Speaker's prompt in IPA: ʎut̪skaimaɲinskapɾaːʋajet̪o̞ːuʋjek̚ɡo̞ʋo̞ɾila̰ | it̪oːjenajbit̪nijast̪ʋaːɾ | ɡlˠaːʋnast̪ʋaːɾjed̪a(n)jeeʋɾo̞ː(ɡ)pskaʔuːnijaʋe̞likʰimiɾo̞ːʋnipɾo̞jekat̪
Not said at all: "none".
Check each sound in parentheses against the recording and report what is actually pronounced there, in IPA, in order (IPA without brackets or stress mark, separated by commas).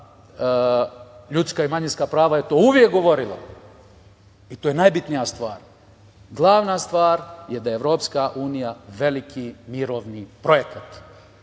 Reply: none, none